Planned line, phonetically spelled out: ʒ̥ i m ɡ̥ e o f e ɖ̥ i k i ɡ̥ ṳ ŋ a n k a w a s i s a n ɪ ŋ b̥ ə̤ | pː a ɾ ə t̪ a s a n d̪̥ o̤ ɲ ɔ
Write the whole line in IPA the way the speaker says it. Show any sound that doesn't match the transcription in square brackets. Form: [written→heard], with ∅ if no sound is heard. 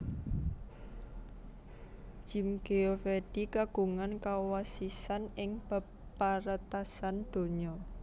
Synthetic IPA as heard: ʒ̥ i m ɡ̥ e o f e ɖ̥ i k [i→a] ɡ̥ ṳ ŋ a n k a w a s i s a n ɪ ŋ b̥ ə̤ | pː a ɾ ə t̪ a s a n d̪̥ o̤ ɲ ɔ